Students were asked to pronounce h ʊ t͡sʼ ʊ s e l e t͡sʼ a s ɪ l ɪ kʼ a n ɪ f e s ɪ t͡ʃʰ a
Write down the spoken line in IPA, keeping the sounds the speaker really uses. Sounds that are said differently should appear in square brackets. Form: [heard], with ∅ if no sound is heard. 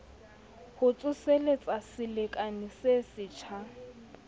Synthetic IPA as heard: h ʊ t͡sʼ ʊ s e l e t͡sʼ a s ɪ l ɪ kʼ a n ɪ [s] e s ɪ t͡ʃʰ a